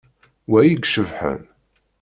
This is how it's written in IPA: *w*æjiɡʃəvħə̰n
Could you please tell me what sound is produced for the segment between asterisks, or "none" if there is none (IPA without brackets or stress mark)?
w